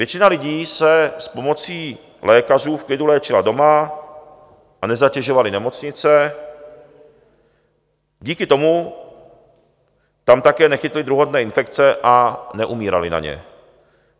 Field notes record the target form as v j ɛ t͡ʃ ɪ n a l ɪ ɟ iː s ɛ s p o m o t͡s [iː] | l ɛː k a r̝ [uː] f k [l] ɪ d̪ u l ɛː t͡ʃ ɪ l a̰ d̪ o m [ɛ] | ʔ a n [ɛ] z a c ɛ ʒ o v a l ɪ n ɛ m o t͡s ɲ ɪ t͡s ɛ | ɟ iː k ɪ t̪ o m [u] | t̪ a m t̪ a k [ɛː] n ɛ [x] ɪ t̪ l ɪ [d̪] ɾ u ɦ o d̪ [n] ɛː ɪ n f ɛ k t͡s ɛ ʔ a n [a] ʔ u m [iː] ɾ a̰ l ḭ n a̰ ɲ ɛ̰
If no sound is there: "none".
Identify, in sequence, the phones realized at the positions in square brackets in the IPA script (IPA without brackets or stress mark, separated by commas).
iː, uː, l, a, ɛ, u, ɛː, x, d̪, n, ɛ, iː